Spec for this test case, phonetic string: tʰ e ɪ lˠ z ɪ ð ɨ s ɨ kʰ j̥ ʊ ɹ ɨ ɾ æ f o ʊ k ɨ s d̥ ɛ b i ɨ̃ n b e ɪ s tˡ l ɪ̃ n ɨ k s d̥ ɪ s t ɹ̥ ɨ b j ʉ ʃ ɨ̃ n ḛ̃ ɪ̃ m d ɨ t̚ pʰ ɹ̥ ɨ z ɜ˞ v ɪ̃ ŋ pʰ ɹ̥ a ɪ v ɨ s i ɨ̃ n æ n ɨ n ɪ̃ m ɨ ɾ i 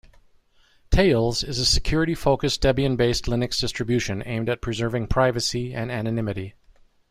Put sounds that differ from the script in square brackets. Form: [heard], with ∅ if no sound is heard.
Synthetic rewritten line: tʰ e ɪ lˠ z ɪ [z] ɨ s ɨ kʰ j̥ ʊ ɹ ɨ ɾ [i] f o ʊ k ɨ s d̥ ɛ b i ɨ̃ n b e ɪ s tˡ l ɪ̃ n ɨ k s d̥ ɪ s t ɹ̥ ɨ b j ʉ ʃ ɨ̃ n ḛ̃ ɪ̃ m d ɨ t̚ pʰ ɹ̥ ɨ z ɜ˞ v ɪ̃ ŋ pʰ ɹ̥ a ɪ v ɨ s i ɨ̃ n æ n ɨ n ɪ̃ m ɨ ɾ i